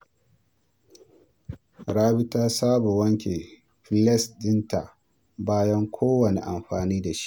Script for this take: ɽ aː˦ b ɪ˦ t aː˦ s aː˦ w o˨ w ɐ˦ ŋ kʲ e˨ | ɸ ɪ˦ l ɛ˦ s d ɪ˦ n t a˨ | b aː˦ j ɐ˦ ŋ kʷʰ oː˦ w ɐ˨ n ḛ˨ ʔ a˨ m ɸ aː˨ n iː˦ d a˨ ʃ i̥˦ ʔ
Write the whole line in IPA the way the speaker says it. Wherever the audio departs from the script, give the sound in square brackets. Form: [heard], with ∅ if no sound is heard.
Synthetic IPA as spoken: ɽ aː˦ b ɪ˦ t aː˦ s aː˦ [b] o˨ w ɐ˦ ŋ kʲ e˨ | ɸ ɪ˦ l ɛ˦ s d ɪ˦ n t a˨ | b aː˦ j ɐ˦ ŋ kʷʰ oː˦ w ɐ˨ n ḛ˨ ʔ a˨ m ɸ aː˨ n iː˦ d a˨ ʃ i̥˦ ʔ